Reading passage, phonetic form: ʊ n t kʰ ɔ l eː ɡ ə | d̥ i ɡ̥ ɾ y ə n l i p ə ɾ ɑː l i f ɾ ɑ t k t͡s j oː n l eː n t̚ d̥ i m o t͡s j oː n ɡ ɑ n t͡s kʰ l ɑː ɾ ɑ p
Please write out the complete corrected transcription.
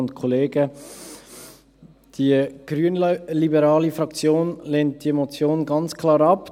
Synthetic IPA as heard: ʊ n t kʰ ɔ l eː ɡ ə | d̥ i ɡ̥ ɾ y ə n l i b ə ɾ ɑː l i f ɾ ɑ k t͡s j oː n l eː n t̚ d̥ i m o t͡s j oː n ɡ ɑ n t͡s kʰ l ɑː ɾ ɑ p